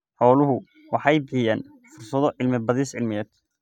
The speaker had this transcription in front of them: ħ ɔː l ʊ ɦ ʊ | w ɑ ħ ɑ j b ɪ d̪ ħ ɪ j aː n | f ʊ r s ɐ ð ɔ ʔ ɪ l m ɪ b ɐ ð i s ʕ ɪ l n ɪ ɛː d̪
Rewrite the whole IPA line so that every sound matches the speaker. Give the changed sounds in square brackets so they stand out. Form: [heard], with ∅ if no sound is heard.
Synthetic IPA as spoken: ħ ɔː l ʊ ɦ ʊ | w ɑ ħ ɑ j b ɪ [∅] ħ ɪ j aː n | f ʊ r s ɐ ð ɔ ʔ ɪ l m ɪ b ɐ ð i s ʕ ɪ l [m] ɪ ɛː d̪